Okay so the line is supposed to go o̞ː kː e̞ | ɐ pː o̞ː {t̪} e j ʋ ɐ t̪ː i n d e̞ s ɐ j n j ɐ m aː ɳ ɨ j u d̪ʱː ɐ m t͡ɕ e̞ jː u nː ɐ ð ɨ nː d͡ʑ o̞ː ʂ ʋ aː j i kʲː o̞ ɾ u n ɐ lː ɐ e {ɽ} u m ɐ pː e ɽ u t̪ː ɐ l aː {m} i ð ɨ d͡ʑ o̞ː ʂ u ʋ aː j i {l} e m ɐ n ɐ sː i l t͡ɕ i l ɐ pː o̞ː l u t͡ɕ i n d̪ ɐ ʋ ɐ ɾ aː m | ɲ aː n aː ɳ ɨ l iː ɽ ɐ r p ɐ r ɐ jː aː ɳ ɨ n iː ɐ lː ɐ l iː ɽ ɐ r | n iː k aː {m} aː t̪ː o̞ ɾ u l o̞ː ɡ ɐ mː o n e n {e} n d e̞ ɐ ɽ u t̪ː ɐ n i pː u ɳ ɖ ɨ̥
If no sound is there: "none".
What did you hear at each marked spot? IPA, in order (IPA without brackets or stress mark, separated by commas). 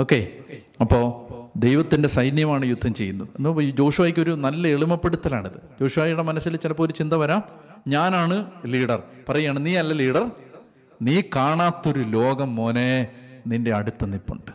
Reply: d̪, ɭ, ɳ, ɽ, ɳ, i